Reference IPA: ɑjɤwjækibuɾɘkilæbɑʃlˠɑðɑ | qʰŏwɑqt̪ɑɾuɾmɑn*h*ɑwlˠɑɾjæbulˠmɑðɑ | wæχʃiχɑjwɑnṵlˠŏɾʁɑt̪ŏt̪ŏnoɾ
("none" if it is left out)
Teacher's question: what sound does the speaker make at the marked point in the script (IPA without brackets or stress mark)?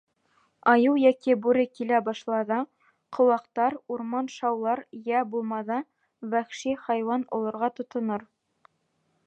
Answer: ʃ